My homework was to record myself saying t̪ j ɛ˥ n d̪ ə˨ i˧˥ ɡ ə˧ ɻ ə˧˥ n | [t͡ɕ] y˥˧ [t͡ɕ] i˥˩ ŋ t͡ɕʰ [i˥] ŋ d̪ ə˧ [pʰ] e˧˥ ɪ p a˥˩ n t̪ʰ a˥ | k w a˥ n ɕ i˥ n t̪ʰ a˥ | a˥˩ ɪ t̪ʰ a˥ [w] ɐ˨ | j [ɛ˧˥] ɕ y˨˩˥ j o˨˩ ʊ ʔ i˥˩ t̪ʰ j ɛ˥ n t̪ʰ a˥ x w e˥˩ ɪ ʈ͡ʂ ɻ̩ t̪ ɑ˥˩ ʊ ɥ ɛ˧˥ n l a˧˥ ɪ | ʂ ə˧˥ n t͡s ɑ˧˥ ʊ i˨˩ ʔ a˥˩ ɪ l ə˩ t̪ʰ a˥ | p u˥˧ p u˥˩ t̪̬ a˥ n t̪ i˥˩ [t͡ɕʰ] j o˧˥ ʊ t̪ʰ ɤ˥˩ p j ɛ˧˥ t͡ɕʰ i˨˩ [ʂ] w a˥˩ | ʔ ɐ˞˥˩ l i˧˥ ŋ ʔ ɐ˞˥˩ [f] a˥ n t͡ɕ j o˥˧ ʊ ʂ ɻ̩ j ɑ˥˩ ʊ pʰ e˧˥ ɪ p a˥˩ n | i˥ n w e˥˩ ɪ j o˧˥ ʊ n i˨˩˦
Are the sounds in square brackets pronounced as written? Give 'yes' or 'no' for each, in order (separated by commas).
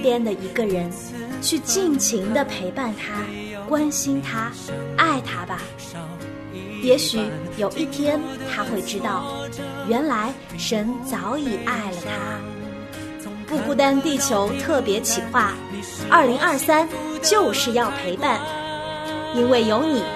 no, yes, no, yes, no, yes, yes, no, no